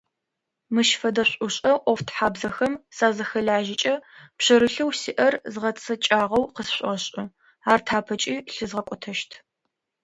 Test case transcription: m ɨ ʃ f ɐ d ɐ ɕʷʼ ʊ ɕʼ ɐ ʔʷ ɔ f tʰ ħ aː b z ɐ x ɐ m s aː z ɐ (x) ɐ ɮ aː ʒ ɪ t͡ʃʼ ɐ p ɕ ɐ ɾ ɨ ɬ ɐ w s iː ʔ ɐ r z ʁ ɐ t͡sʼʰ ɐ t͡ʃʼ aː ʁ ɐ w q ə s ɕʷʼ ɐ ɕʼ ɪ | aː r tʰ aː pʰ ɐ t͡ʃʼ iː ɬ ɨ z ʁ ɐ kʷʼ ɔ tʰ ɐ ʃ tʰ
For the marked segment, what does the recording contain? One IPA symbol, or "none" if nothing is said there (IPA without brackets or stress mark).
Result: x